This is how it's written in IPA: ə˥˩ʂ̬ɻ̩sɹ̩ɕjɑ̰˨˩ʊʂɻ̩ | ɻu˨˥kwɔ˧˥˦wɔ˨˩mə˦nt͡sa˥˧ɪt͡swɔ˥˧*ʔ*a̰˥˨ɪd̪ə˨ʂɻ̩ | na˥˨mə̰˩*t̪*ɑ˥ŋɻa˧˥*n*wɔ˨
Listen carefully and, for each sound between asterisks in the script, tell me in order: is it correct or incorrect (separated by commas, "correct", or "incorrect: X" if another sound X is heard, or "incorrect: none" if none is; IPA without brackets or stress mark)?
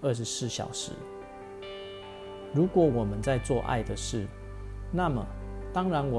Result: correct, correct, correct